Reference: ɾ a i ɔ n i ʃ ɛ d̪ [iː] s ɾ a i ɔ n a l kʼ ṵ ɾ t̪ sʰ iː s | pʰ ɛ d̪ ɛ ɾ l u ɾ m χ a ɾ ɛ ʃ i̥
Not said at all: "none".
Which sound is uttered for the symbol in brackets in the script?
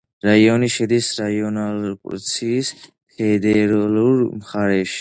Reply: i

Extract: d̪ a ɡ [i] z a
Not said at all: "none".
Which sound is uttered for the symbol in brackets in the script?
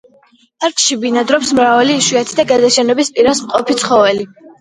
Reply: a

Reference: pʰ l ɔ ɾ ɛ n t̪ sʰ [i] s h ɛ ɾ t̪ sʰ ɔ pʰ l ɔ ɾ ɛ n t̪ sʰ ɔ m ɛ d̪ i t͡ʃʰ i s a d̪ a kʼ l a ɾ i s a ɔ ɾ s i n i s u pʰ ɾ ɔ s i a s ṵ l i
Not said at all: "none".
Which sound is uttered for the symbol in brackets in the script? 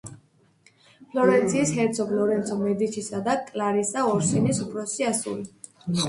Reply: iː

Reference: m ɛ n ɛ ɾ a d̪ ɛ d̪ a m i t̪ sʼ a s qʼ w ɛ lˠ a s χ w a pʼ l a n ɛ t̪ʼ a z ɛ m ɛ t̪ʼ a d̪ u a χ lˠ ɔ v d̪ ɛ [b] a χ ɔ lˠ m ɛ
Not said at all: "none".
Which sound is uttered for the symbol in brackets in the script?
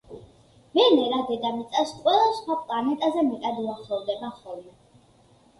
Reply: b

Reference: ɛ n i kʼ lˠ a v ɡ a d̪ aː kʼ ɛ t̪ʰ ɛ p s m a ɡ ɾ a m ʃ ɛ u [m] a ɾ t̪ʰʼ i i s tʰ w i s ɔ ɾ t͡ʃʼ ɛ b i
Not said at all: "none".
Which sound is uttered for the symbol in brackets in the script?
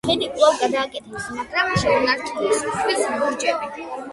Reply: n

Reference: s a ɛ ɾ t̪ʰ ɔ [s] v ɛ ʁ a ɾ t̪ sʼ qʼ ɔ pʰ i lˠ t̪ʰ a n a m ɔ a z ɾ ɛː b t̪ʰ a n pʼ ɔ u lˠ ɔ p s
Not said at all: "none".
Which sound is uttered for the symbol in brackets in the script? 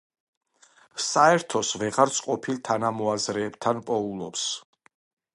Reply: s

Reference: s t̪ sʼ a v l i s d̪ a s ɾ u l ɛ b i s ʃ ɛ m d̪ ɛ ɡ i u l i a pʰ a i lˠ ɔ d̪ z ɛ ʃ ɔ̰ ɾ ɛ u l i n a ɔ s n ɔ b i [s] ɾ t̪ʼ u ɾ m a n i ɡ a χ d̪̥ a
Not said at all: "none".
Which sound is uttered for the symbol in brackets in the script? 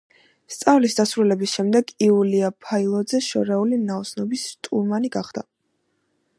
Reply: s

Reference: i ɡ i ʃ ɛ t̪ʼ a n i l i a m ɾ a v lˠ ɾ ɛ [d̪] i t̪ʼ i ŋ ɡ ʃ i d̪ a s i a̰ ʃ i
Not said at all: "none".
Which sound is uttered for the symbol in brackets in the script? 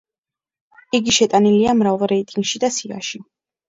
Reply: none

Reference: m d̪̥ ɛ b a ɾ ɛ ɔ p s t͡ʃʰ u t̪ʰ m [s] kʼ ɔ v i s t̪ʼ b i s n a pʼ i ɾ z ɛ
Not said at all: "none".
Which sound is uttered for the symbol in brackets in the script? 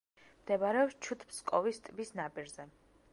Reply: s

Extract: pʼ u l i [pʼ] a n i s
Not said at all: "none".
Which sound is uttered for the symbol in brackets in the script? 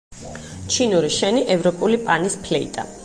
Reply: pʼ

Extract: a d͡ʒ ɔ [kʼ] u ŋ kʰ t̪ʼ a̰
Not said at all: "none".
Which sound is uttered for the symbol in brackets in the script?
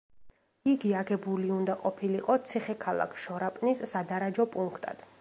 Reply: pʼ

